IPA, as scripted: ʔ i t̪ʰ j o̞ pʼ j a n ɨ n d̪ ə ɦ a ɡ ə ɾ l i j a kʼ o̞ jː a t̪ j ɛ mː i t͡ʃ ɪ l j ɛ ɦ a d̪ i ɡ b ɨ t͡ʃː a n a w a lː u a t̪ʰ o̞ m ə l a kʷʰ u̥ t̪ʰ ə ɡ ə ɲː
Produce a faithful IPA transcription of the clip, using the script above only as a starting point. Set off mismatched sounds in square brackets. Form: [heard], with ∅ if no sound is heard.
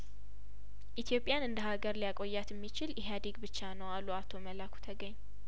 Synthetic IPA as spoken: ʔ i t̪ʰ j o̞ pʼ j a n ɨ n d̪ ə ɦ a ɡ ə ɾ l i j a kʼ o̞ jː a t̪ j ɛ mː i t͡ʃ ɪ l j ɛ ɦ a d̪ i ɡ b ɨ t͡ʃː a n [ə] w a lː u a t̪ʰ o̞ m ə l a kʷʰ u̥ t̪ʰ ə ɡ ə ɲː

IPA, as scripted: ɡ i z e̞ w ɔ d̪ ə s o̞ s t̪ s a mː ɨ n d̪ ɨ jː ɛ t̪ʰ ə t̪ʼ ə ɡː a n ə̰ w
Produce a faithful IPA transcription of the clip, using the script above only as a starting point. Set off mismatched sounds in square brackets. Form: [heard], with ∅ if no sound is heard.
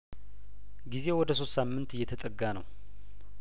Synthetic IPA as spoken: ɡ i z e̞ w ɔ d̪ ə s o̞ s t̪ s a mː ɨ n [t̪] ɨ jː ɛ t̪ʰ ə t̪ʼ ə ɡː a n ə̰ w

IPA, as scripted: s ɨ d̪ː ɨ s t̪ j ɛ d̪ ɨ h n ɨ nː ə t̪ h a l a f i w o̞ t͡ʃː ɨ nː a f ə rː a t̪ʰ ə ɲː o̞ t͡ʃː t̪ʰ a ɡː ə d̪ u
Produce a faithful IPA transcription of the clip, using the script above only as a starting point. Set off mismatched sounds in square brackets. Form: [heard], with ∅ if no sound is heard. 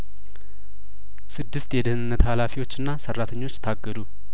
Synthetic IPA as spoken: s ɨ d̪ː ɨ s t̪ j ɛ d̪ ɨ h n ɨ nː ə t̪ h a l a f i w o̞ t͡ʃː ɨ nː a [s] ə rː a t̪ʰ ə ɲː o̞ t͡ʃː t̪ʰ a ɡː ə d̪ u

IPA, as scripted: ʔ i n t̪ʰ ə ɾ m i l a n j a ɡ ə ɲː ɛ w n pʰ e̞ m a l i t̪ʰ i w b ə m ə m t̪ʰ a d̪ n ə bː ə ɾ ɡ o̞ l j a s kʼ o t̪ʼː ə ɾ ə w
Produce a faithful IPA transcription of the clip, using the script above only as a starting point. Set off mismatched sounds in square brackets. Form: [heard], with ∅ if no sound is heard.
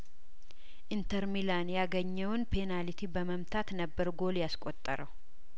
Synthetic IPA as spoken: ʔ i n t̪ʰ ə ɾ m i l a n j a ɡ ə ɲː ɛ w n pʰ e̞ [n] a l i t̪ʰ i [∅] b ə m ə m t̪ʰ a [t̪] n ə bː ə ɾ ɡ o̞ l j a s kʼ o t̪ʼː ə ɾ ə w

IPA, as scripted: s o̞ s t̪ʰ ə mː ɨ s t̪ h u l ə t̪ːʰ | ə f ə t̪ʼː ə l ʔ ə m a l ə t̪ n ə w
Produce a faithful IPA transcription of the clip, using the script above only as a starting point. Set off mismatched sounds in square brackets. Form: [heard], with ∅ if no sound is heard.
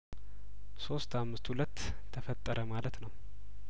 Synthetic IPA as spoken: s o̞ s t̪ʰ [a] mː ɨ s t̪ h u l ə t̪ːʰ | ə f ə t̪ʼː ə [ɾ] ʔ ə m a l ə t̪ n ə w

